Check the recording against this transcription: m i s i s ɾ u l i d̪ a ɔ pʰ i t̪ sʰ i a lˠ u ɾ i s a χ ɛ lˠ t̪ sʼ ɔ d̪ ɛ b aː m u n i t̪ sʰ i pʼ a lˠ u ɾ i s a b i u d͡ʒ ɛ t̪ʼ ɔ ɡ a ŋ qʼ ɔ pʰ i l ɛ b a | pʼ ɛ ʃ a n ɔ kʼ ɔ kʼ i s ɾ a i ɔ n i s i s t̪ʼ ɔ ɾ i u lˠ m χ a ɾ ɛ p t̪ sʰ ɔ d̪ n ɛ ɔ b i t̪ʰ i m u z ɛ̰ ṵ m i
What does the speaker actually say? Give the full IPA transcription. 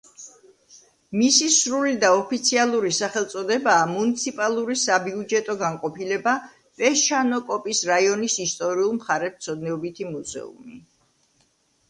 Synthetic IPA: m i s i s ɾ u l i d̪ a ɔ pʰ i t̪ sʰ i a lˠ u ɾ i s a χ ɛ lˠ t̪ sʼ ɔ d̪ ɛ b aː m u n i t̪ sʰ i pʼ a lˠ u ɾ i s a b i u d͡ʒ ɛ t̪ʼ ɔ ɡ a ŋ qʼ ɔ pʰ i l ɛ b a | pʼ ɛ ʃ a n ɔ kʼ ɔ pʼ i s ɾ a i ɔ n i s i s t̪ʼ ɔ ɾ i u lˠ m χ a ɾ ɛ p t̪ sʰ ɔ d̪ n ɛ ɔ b i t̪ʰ i m u z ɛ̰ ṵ m i